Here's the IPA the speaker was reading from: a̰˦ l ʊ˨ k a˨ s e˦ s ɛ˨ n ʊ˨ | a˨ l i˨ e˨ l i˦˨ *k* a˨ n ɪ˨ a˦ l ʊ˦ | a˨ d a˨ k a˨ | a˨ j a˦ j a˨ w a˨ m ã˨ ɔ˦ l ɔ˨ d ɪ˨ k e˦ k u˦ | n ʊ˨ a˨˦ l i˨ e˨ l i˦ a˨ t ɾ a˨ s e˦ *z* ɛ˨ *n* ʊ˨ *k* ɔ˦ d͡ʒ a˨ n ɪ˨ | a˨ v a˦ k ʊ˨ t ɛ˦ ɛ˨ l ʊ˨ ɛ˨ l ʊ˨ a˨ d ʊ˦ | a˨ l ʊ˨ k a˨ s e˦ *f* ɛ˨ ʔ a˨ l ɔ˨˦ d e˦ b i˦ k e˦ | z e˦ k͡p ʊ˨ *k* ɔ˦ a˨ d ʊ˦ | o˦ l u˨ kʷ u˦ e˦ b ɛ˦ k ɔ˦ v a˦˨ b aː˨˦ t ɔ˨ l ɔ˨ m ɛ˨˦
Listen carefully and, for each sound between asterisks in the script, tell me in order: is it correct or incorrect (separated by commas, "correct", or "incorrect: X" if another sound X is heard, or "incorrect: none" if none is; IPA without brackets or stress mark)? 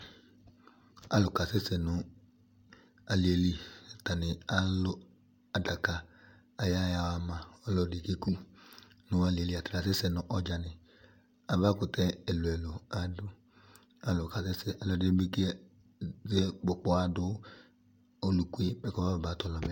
incorrect: t, incorrect: s, correct, incorrect: ʔ, incorrect: s, incorrect: k͡p